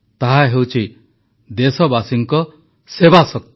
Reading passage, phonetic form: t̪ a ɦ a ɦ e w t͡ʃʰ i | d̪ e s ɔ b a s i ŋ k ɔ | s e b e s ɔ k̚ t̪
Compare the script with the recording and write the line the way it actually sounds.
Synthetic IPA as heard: t̪ a ɦ a ɦ e w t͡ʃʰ i | d̪ e s ɔ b a s i ŋ k ɔ | s e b a s ɔ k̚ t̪